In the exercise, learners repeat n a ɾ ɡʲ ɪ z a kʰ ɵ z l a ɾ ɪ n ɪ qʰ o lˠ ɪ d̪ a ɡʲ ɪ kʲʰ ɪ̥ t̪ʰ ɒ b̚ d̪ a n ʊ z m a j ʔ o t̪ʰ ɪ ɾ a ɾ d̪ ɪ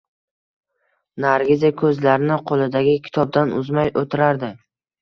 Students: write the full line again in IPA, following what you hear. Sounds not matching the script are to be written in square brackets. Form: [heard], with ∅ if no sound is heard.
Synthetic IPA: n a ɾ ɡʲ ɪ z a kʰ ɵ z l a ɾ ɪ n ɪ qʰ o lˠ ɪ d̪ a ɡʲ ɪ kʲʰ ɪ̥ t̪ʰ ɒ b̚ d̪ a n ʊ z m a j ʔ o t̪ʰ ɪ ɾ a ɾ d̪ ɪ